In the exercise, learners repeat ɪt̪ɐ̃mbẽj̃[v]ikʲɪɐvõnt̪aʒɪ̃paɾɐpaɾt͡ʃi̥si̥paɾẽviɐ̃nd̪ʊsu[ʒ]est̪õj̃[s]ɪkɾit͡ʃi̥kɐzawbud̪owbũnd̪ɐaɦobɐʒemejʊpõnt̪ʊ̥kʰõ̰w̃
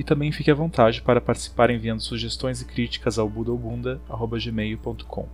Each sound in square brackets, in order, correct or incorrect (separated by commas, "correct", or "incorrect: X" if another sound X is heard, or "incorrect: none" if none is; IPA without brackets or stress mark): incorrect: f, correct, incorrect: z